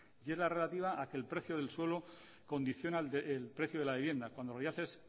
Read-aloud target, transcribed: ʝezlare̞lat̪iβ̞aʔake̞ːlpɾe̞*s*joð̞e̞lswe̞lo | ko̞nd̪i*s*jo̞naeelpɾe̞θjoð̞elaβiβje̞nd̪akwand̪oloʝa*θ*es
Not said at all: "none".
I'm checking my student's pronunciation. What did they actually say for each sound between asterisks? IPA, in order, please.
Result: θ, θ, θ

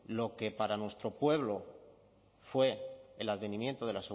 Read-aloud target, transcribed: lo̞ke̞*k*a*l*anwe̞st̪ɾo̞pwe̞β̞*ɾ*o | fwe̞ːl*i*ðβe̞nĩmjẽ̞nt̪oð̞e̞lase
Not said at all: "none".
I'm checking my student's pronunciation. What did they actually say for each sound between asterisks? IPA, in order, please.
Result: p, ɾ, l, a

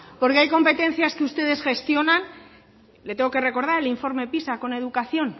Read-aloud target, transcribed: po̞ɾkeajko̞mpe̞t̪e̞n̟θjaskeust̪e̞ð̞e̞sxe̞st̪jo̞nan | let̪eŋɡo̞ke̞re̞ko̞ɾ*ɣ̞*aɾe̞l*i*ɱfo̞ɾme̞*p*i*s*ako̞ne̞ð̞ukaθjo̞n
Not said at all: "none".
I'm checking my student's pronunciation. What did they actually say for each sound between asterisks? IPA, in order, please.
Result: ð̞, i, p, s

